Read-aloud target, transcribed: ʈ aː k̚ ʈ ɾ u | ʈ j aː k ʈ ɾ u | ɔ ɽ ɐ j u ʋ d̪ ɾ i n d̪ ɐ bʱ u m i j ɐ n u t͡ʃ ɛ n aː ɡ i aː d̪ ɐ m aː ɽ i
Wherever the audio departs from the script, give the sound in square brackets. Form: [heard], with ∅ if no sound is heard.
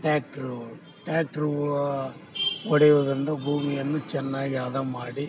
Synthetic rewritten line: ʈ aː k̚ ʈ ɾ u | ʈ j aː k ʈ ɾ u | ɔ ɽ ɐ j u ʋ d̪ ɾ i n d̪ ɐ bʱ [uː] m i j ɐ [nː] u t͡ʃ ɛ [nː] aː ɡ i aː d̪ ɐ m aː ɽ i